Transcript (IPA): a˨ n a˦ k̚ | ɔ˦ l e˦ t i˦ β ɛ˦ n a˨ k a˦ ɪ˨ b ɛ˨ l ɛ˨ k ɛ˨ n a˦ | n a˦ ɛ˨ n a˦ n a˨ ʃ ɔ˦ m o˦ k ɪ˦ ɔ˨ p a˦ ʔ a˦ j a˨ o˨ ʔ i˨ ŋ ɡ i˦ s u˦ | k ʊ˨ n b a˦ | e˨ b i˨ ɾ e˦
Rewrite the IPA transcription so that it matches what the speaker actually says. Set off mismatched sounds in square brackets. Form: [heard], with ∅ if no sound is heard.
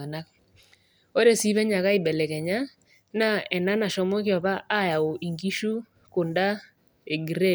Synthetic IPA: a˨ n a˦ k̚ | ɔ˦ [ɾ] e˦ [s] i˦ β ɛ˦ [ɲ] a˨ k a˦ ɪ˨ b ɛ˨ l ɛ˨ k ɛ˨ [ɲ] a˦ | n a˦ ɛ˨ n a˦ n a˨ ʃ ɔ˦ m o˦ k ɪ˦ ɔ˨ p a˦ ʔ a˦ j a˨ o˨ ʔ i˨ ŋ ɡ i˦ [ʃ] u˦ | k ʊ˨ n [d] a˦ | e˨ [ɡ] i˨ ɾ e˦

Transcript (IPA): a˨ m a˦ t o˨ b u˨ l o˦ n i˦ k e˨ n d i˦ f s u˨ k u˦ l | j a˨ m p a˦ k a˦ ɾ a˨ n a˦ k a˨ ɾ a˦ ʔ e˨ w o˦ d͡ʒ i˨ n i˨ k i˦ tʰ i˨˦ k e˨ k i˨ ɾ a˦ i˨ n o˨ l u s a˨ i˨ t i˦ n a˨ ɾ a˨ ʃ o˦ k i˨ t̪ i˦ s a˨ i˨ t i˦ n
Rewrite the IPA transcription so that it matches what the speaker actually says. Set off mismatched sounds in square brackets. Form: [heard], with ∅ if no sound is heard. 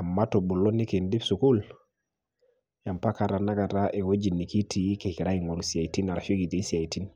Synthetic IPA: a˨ m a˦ t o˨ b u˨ l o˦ n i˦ k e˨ n d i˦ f s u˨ k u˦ l | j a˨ m p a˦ k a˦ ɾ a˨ n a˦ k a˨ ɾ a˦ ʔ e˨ w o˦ d͡ʒ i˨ n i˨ k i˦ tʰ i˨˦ k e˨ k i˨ ɾ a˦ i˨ [ŋ] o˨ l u s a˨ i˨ t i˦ n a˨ ɾ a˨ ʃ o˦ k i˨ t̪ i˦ s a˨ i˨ t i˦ n

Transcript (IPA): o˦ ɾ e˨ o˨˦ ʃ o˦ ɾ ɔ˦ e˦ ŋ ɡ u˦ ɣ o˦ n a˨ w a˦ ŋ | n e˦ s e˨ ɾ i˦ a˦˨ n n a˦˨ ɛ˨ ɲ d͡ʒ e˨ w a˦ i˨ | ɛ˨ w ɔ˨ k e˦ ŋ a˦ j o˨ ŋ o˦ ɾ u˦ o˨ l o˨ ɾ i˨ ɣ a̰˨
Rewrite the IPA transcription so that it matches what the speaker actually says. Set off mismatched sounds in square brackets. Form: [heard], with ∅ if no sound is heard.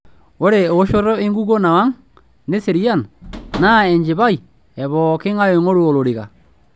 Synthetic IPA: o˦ ɾ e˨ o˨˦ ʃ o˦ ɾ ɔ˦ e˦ ŋ ɡ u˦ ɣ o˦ n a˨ w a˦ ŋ | n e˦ s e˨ ɾ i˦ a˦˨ n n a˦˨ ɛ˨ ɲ d͡ʒ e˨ [β] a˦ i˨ | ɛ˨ [β] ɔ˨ k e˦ ŋ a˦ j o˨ ŋ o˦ ɾ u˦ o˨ l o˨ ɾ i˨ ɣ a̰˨

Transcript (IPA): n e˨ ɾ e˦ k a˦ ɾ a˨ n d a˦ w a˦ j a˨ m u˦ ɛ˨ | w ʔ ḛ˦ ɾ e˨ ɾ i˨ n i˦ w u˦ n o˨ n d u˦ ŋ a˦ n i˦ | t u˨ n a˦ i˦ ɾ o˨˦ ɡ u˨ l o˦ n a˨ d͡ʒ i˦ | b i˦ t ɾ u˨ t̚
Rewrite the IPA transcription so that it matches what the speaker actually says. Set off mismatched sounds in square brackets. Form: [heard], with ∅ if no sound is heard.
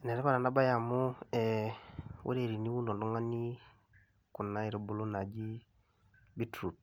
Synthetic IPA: n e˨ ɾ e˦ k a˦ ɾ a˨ n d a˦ [b] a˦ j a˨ m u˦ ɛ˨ | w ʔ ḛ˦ ɾ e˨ ɾ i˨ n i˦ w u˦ n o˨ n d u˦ ŋ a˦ n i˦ | [k] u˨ n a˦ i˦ ɾ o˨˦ [b] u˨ l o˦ n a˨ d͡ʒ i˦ | b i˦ t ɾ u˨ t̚

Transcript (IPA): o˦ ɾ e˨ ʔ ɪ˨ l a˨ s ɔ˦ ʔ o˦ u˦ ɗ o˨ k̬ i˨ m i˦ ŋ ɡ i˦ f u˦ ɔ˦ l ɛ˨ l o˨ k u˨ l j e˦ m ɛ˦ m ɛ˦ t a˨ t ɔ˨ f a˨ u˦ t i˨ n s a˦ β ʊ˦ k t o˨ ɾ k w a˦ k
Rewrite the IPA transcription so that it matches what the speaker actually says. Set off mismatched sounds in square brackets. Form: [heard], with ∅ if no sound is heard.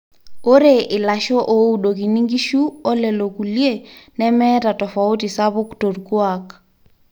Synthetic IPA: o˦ ɾ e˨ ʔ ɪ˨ l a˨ [ʃ] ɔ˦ ʔ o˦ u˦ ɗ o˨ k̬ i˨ [n] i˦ ŋ ɡ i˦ [ʃ] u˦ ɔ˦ l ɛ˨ l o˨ k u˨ l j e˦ [n] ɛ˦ m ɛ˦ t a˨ t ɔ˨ f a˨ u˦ t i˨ [∅] s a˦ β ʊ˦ k t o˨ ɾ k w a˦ k

